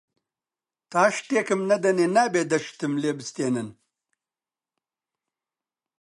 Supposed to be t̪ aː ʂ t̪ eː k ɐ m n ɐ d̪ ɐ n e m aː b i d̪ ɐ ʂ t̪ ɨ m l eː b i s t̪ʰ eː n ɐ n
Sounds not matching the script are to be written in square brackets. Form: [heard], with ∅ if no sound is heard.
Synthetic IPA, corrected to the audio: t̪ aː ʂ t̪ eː k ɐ m n ɐ d̪ ɐ n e [n] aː b [e] d̪ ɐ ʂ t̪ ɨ m l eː b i s [t̪] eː n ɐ n